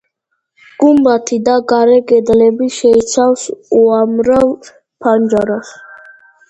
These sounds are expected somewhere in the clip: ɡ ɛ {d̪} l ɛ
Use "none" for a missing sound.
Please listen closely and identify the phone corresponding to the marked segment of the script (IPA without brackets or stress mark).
d̪